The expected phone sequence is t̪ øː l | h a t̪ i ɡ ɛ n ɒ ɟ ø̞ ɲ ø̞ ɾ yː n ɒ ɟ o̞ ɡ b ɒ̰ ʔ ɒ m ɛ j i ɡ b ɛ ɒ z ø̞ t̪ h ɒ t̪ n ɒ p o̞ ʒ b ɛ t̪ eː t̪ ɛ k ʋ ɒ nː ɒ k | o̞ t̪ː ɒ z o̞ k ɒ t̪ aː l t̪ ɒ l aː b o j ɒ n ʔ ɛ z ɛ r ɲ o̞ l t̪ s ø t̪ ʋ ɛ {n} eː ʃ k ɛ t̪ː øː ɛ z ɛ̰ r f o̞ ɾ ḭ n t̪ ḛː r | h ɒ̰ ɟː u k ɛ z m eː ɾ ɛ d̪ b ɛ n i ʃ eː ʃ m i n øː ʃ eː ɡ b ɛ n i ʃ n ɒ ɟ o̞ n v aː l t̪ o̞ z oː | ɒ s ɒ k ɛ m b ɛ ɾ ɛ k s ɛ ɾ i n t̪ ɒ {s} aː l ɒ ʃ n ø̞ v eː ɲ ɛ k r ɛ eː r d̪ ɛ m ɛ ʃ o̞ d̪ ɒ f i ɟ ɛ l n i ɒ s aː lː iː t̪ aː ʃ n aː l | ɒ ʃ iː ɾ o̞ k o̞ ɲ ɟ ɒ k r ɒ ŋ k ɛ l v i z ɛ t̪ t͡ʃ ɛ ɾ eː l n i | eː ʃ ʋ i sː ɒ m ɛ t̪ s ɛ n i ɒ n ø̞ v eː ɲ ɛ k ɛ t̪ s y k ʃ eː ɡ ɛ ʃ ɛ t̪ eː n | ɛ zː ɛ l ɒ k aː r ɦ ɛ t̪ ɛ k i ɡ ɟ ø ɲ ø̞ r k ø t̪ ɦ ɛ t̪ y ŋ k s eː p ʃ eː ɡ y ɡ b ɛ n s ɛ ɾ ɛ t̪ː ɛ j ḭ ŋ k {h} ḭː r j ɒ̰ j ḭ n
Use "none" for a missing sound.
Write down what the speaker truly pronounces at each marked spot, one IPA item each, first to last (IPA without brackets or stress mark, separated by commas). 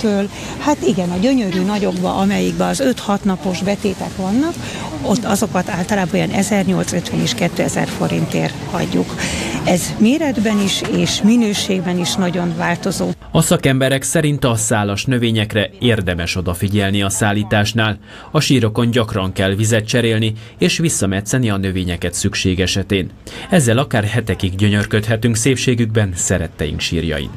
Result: n, s, ʃ